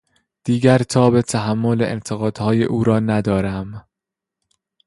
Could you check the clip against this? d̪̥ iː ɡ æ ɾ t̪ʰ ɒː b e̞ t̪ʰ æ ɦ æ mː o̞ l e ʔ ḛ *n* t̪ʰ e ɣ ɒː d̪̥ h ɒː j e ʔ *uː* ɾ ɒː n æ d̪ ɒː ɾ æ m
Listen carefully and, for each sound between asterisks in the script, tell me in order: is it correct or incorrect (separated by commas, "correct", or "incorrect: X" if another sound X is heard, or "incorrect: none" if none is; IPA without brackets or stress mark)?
correct, correct